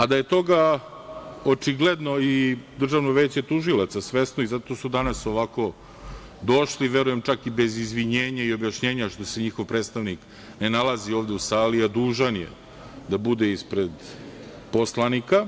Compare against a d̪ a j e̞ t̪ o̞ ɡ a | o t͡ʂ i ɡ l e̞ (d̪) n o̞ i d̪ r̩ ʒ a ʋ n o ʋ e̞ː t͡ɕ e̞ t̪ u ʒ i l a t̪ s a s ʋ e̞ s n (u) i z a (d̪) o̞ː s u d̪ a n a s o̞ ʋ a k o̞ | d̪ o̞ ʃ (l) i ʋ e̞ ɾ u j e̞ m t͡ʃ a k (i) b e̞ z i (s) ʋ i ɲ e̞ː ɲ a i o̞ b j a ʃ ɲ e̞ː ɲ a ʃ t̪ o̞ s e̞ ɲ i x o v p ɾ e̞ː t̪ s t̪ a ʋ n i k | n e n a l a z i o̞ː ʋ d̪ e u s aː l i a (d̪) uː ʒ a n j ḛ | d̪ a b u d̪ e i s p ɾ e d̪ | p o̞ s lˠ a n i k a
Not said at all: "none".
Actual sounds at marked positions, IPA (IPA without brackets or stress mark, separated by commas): d̪, o, t̪, l, i, z, d̪